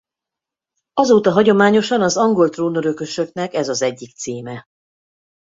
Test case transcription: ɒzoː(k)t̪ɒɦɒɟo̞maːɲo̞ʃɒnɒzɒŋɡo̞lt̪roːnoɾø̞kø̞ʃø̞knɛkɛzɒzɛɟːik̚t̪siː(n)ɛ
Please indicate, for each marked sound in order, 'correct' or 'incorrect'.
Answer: incorrect: none, incorrect: m

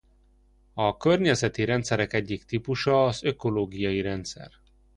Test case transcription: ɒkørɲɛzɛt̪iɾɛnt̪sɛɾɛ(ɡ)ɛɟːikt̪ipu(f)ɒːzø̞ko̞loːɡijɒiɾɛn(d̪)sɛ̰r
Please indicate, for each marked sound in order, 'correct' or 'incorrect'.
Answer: incorrect: k, incorrect: ʃ, incorrect: t̪

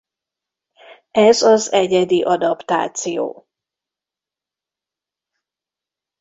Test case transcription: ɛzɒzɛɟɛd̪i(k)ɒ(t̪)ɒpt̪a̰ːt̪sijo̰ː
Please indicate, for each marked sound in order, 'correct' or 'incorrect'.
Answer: incorrect: ʔ, incorrect: d̪

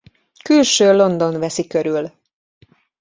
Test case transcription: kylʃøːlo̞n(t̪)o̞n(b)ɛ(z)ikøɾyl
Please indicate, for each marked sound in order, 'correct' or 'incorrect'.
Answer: incorrect: d̪, incorrect: v, incorrect: s

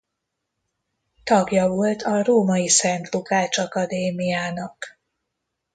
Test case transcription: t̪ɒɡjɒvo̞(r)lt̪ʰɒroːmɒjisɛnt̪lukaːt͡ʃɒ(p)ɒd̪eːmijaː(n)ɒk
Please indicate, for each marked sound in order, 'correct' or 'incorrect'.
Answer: incorrect: none, incorrect: k, correct

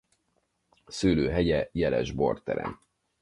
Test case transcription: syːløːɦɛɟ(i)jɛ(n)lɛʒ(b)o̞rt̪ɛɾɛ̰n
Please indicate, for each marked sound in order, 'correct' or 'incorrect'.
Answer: incorrect: ɛ, incorrect: none, correct

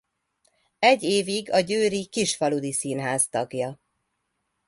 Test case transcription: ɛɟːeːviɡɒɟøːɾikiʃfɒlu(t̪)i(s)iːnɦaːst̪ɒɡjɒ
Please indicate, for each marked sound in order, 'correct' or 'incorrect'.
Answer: incorrect: d̪, correct

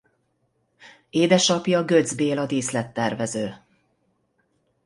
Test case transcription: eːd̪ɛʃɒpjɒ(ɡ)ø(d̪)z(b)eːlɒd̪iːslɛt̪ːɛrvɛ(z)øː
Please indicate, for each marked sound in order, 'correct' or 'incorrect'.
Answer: correct, correct, correct, correct

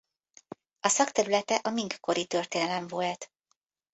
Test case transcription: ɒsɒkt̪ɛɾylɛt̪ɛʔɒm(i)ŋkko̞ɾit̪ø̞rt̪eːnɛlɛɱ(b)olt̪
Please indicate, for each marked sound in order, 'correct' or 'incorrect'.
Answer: correct, incorrect: v

